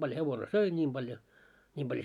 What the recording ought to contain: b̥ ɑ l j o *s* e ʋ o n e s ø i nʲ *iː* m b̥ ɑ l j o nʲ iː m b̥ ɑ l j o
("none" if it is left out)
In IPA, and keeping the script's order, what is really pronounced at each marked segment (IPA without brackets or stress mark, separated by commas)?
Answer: h, iː